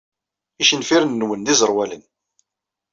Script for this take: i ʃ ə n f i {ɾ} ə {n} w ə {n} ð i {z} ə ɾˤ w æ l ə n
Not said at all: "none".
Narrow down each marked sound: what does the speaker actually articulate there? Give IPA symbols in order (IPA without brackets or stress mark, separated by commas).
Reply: ɾ, nː, n, z